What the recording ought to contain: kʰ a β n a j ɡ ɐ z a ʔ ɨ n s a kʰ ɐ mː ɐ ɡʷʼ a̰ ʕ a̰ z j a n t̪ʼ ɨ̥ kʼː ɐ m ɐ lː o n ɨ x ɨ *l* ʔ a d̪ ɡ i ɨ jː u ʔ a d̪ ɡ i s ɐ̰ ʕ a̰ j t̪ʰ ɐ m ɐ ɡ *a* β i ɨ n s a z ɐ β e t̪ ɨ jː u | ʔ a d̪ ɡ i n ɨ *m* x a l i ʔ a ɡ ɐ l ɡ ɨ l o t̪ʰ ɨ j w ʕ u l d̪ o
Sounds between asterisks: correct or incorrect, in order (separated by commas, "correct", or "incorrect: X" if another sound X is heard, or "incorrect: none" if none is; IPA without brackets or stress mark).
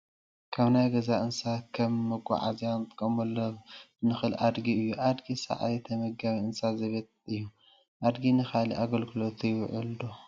correct, correct, incorrect: none